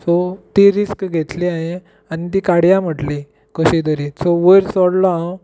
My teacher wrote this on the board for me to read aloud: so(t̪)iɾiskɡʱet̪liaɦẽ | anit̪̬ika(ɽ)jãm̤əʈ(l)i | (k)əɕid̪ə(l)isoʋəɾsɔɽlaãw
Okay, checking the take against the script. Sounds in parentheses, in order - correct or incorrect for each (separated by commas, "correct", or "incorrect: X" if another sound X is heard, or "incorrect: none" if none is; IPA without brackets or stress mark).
correct, correct, correct, correct, incorrect: ɾ